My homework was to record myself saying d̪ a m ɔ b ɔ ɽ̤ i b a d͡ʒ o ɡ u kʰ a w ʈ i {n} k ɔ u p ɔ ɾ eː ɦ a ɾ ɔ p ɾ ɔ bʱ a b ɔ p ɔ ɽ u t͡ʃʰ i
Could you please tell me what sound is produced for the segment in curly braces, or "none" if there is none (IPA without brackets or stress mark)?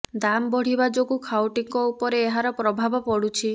ŋ